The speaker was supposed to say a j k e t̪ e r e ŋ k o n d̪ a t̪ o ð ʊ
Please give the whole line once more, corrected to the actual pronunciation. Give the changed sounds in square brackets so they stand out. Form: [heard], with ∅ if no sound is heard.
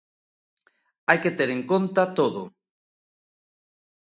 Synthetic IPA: a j k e t̪ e [ɾ] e ŋ k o n [t̪] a t̪ o ð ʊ